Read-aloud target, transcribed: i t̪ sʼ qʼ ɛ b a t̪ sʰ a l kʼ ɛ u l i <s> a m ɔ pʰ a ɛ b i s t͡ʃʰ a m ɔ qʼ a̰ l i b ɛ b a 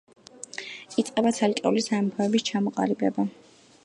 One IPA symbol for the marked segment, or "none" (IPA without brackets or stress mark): s